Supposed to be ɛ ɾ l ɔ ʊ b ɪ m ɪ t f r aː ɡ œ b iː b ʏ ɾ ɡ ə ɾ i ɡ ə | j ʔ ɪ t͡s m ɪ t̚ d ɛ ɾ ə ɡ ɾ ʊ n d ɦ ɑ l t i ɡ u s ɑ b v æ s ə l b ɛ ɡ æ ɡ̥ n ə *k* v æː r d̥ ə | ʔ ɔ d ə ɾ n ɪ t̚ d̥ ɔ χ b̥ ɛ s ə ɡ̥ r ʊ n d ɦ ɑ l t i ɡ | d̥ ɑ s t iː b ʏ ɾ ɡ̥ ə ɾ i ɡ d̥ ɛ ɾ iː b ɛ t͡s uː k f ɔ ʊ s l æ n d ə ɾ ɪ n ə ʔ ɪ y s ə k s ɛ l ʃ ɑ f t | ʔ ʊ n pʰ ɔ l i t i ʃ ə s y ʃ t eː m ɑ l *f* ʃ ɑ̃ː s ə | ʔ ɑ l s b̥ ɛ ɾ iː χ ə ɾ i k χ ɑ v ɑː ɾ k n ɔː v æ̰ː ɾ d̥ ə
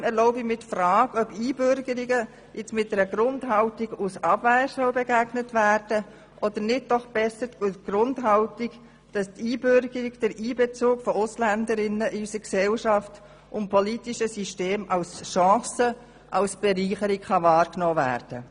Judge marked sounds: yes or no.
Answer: no, no

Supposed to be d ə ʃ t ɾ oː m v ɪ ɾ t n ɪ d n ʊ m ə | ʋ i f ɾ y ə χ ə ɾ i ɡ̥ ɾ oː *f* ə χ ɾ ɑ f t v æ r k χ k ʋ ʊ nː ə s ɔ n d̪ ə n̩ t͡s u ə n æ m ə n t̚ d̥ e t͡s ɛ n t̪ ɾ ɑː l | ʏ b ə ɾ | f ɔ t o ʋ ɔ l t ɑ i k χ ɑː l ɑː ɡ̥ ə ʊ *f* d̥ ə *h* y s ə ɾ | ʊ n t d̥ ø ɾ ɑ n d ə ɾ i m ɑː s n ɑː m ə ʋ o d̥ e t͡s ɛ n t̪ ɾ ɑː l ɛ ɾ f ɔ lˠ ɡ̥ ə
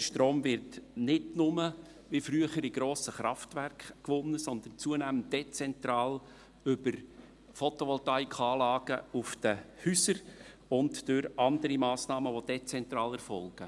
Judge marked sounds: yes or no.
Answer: no, yes, yes

